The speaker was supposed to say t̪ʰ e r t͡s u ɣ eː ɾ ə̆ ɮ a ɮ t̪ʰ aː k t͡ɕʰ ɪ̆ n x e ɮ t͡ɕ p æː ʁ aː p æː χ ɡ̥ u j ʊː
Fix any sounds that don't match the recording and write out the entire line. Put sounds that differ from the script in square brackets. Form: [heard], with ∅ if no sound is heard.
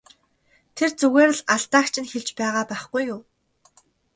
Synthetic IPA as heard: t̪ʰ e r t͡s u ɣ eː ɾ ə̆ ɮ a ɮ [t̪] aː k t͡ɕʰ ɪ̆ n x e ɮ t͡ɕ p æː ʁ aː p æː χ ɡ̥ u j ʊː

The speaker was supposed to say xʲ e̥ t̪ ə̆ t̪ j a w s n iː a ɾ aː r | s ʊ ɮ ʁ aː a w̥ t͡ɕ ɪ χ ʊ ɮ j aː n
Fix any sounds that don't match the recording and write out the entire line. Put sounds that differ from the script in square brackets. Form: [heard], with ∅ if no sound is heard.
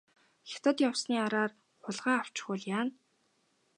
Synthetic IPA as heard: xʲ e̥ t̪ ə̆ t̪ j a w s n iː a ɾ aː r | [χ] ʊ ɮ ʁ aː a w̥ t͡ɕ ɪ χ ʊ ɮ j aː n

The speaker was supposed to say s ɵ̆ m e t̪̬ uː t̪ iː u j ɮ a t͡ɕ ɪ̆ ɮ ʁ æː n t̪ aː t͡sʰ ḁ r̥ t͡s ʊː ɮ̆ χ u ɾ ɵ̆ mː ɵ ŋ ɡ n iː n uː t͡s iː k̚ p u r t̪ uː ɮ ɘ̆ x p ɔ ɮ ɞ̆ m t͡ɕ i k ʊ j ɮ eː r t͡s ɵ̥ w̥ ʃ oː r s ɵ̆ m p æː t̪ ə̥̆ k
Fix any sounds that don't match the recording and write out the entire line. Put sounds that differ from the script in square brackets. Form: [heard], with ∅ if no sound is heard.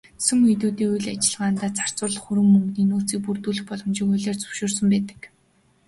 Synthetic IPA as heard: s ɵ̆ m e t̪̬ uː t̪ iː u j ɮ a t͡ɕ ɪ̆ ɮ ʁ [aː] n t̪ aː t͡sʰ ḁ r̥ t͡s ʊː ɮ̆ χ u ɾ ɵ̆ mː ɵ ŋ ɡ n iː n uː t͡s iː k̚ p u r t̪ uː ɮ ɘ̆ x p ɔ ɮ ɞ̆ m t͡ɕ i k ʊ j ɮ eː r t͡s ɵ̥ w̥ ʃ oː r s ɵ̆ m p æː t̪ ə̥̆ k

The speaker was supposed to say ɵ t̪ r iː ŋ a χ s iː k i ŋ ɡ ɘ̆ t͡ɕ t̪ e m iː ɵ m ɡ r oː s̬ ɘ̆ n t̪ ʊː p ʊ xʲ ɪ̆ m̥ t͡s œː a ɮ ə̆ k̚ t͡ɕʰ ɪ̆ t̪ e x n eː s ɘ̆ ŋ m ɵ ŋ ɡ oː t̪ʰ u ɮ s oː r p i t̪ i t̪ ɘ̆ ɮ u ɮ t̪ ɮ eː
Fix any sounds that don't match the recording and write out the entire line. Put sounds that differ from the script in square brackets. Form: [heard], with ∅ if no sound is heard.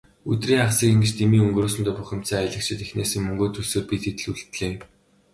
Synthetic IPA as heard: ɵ t̪ r iː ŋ a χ s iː k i ŋ ɡ ɘ̆ t͡ɕ t̪ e m iː ɵ [ŋ] ɡ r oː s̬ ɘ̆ n t̪ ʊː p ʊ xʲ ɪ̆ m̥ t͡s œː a ɮ ə̆ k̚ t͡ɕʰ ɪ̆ t̪ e x n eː s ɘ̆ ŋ m ɵ ŋ ɡ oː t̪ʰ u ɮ s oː r p i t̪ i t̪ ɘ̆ ɮ u ɮ t̪ ɮ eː

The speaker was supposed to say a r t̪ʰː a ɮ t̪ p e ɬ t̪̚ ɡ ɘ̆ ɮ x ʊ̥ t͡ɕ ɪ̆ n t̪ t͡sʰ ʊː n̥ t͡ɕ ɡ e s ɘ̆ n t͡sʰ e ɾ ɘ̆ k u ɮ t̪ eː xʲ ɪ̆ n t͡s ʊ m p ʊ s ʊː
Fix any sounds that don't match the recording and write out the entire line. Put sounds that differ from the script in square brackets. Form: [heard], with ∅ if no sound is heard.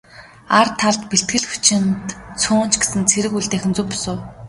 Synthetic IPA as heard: a r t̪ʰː a ɮ t̪ p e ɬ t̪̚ ɡ ɘ̆ ɮ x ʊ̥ t͡ɕ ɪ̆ n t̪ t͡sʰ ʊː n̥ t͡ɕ ɡ e s ɘ̆ n t͡sʰ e ɾ ɘ̆ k u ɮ t̪ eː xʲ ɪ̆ n t͡s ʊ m p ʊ s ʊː

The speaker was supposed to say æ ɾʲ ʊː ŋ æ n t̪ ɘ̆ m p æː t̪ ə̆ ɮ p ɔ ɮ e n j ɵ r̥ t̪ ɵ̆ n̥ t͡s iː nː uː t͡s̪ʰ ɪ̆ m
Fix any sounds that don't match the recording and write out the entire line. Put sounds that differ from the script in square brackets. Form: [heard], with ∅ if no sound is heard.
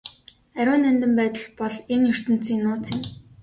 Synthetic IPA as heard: æ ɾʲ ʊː [n] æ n t̪ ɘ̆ m p æː t̪ ə̆ ɮ p ɔ ɮ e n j ɵ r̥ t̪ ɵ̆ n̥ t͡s iː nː [ʊː] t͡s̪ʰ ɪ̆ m

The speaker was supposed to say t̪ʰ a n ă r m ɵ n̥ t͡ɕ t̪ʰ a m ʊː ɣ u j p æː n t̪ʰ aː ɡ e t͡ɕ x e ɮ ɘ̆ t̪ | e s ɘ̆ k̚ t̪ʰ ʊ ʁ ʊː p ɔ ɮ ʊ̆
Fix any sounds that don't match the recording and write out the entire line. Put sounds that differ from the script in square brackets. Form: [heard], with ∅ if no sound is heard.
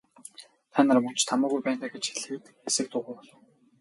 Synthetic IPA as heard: t̪ʰ a n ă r m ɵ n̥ t͡ɕ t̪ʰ a m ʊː ɣ u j p æː n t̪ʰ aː ɡ e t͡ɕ x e ɮ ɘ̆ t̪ | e s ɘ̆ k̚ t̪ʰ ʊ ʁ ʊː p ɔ ɮ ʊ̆

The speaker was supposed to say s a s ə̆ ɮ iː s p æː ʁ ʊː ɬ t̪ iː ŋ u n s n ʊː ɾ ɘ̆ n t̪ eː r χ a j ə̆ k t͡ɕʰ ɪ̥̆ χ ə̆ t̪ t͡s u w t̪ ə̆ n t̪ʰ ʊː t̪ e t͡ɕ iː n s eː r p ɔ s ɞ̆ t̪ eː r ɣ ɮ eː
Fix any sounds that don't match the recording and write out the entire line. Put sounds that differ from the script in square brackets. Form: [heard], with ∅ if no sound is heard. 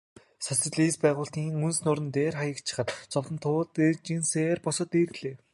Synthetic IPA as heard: s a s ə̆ ɮ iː s p æː ʁ ʊː ɬ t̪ iː ŋ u n s n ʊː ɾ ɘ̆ n t̪ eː r χ a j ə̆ k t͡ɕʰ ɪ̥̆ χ ə̆ t̪ t͡s [ɔ] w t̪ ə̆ n t̪ʰ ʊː t̪ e t͡ɕ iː n s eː r p ɔ s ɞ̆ t̪ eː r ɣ ɮ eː

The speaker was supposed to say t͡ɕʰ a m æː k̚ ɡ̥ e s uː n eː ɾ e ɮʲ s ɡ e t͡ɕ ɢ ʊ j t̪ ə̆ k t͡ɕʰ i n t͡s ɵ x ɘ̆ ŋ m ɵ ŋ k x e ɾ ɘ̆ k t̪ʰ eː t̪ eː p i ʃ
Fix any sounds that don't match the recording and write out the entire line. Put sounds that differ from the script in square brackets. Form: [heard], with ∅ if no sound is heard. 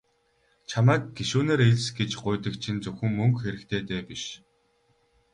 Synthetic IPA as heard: t͡ɕʰ a m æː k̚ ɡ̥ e [ʃ] uː n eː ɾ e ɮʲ s ɡ e t͡ɕ ɢ ʊ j t̪ ə̆ k t͡ɕʰ i n t͡s ɵ x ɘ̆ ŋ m ɵ ŋ k x e ɾ ɘ̆ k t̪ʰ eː t̪ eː p i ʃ

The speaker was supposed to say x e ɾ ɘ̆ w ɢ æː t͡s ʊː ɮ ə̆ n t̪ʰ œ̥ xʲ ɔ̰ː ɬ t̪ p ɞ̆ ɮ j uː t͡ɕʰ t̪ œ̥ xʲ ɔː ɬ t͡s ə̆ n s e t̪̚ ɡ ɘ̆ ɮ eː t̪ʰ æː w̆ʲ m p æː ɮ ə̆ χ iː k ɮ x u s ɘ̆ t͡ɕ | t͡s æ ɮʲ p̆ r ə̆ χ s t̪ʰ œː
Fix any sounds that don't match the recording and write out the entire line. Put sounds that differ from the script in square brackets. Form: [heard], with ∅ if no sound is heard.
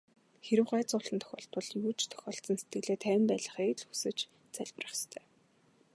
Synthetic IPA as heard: x e ɾ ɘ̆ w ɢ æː t͡s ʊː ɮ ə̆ n t̪ʰ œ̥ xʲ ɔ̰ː ɬ t̪ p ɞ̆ ɮ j uː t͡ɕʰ [t̪ʰ] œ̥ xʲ ɔː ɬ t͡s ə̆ n s e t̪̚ ɡ ɘ̆ ɮ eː t̪ʰ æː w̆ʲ m p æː ɮ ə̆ χ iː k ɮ x u s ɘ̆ t͡ɕ | t͡s æ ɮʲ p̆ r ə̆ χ s t̪ʰ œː

